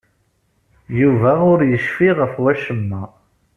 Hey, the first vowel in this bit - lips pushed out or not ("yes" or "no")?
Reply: yes